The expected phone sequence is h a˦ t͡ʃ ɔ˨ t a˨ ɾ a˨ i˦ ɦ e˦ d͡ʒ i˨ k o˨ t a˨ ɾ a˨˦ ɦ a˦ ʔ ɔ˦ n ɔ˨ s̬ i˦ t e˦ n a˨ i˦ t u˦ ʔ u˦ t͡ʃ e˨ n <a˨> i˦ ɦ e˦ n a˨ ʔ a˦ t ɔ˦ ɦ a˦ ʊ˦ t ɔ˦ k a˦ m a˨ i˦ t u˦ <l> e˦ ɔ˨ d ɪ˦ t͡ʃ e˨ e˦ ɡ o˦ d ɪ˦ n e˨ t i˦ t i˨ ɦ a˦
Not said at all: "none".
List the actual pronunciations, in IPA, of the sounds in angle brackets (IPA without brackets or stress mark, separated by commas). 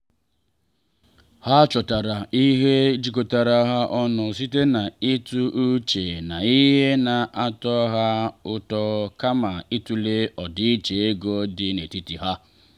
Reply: a˨, l